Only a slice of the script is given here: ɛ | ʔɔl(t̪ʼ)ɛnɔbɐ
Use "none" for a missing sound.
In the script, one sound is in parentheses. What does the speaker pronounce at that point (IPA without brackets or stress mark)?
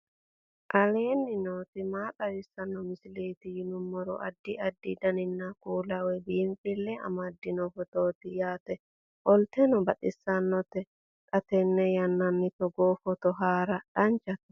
t̪